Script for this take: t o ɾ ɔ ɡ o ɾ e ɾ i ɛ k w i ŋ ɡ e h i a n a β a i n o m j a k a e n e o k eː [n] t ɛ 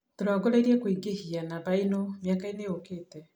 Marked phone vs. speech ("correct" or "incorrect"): incorrect